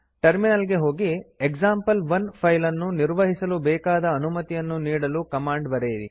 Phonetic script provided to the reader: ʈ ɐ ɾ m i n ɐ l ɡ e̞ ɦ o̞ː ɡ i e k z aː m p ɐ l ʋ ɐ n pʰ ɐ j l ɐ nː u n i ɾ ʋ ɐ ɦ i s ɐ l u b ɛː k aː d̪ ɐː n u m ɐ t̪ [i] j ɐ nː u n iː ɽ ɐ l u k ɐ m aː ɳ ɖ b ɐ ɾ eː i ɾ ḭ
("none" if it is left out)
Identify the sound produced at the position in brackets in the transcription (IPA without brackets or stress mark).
i